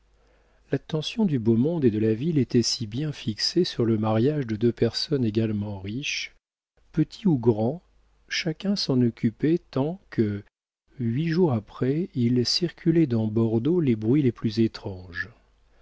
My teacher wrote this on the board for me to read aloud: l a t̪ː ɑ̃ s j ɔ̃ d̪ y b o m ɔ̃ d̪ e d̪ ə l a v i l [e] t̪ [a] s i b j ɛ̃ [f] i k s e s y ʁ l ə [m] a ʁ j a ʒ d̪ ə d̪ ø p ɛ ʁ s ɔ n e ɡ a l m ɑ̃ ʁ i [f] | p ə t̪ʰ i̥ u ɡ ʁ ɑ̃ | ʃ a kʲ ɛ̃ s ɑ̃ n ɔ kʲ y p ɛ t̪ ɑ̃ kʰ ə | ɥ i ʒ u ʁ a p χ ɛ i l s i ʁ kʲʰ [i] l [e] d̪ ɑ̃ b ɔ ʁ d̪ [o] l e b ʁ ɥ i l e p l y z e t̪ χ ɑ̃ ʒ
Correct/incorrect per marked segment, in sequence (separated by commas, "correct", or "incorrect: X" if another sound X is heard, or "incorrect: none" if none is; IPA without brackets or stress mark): correct, incorrect: ɛ, correct, correct, incorrect: ʃ, incorrect: y, incorrect: ɛ, correct